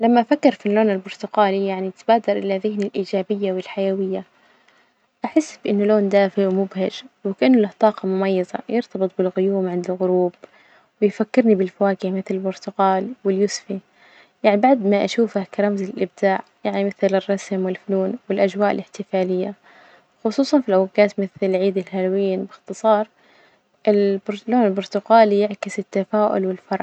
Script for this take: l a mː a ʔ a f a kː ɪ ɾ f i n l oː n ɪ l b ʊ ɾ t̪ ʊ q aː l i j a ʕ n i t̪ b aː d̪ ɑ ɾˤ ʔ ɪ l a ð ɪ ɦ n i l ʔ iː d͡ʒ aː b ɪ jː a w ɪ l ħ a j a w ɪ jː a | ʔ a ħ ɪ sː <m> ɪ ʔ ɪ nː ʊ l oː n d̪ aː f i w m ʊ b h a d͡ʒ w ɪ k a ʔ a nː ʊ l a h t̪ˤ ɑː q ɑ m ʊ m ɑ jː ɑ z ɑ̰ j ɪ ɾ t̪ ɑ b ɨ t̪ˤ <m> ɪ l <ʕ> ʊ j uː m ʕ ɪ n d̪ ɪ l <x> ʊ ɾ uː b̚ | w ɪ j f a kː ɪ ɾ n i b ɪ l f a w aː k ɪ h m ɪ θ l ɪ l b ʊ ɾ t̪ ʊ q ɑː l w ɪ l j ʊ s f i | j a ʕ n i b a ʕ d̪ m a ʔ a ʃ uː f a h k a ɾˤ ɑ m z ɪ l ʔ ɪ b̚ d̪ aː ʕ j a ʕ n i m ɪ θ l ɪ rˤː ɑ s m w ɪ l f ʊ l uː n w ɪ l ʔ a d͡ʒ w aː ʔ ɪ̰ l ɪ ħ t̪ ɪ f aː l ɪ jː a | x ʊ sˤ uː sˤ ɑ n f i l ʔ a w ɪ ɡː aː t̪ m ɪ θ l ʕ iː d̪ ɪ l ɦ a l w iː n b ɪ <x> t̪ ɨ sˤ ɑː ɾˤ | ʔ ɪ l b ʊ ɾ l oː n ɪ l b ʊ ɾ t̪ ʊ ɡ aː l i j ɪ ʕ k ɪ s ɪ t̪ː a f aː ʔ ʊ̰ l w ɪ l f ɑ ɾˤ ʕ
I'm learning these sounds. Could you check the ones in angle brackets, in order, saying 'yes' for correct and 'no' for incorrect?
no, no, no, no, yes

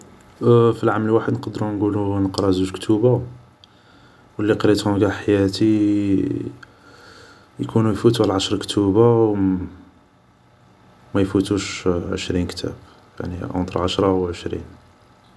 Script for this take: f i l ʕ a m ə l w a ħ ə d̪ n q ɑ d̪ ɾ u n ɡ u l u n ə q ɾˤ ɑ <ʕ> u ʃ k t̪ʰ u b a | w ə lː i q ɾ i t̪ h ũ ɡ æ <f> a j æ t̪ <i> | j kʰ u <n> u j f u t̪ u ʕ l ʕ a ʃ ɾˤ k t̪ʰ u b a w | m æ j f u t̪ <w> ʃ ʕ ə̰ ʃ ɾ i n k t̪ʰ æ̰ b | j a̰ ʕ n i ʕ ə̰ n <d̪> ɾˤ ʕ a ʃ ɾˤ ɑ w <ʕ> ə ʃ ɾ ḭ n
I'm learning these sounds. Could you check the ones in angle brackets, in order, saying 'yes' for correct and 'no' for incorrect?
no, no, yes, yes, no, no, yes

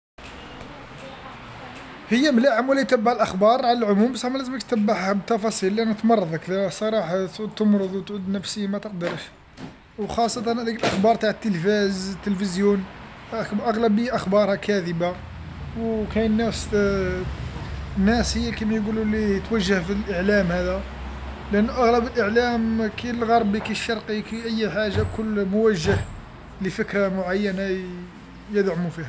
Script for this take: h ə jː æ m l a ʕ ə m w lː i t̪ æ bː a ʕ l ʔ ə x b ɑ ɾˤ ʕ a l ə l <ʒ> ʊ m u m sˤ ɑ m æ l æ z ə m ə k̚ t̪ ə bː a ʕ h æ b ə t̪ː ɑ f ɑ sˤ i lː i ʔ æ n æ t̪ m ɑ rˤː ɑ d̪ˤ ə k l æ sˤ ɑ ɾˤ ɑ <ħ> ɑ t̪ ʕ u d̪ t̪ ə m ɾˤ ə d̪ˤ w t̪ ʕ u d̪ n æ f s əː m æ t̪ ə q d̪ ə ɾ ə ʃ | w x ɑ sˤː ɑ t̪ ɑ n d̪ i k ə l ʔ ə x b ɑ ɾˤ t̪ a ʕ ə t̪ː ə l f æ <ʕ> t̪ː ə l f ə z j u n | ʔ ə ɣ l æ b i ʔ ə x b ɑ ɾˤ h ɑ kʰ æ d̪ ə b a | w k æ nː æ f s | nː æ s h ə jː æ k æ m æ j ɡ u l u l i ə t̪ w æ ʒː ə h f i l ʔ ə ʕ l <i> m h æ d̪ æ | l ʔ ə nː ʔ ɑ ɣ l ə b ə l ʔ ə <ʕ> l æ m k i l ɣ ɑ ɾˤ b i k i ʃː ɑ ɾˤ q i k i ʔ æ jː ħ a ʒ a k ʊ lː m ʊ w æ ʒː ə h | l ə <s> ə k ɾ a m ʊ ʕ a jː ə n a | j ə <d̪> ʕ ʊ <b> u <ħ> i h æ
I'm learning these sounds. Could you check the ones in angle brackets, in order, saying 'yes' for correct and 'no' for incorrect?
no, yes, no, no, yes, no, yes, no, no

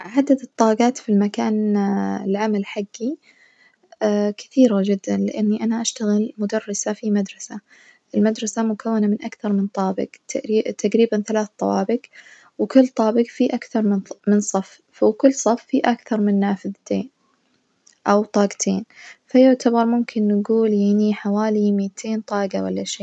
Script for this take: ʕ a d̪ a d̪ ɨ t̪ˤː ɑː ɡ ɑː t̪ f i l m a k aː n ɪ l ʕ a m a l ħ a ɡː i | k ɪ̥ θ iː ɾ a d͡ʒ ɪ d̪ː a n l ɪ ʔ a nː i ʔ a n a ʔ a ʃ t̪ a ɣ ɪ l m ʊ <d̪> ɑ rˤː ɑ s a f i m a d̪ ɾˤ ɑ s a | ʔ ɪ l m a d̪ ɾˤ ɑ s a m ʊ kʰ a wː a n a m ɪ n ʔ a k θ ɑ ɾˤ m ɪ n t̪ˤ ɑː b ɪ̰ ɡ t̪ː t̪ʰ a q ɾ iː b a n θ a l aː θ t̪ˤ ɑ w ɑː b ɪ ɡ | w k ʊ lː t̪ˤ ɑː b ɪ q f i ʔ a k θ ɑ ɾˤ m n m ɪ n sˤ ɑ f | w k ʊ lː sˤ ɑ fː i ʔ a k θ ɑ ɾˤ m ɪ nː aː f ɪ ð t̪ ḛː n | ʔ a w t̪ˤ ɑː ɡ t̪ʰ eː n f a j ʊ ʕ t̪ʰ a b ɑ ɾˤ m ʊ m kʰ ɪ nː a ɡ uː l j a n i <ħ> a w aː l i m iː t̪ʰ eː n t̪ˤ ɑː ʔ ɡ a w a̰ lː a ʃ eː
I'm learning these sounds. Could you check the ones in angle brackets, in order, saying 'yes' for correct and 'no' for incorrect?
yes, yes

